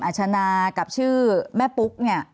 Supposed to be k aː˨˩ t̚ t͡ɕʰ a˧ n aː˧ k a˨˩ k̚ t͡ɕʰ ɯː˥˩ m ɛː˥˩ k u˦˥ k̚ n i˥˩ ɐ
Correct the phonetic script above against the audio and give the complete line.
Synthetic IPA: ʔ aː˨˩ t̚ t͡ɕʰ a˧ n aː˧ k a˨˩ p̚ t͡ɕʰ ɯː˥˩ m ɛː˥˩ p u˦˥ k̚ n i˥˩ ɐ